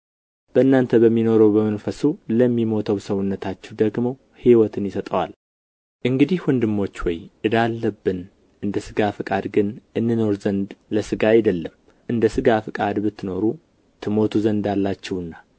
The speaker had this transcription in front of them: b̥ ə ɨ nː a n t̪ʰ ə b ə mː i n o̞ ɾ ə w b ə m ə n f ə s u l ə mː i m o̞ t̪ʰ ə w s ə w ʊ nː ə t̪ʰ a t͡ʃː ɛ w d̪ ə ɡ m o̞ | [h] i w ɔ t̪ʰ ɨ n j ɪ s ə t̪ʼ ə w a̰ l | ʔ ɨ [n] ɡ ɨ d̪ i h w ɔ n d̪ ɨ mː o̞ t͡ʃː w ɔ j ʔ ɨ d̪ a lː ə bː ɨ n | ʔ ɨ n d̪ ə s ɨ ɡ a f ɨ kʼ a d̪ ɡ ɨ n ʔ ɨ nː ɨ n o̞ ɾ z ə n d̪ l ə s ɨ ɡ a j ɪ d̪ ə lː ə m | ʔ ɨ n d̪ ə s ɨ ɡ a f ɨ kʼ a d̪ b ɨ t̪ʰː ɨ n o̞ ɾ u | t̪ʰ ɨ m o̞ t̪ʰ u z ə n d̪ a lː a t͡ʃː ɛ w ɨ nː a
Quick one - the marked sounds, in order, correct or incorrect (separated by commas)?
correct, incorrect